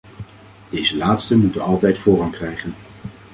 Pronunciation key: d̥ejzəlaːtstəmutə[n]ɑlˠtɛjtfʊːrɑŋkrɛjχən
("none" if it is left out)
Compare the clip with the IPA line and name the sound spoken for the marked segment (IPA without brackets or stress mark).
n